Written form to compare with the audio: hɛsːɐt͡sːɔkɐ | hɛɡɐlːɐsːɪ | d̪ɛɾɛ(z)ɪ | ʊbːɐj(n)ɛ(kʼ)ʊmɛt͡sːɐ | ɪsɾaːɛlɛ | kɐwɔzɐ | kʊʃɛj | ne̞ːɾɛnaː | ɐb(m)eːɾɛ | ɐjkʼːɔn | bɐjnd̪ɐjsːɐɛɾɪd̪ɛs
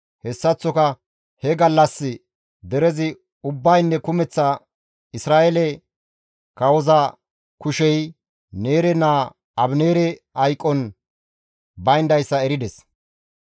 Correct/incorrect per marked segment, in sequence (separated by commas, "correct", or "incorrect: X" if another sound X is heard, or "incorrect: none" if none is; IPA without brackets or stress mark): correct, incorrect: nː, incorrect: k, incorrect: n